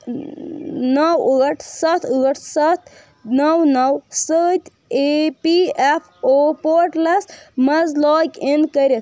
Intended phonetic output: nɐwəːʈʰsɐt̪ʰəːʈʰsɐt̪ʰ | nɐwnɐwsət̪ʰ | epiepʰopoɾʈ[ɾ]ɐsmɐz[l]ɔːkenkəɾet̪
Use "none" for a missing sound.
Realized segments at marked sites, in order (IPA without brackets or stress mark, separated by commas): l, l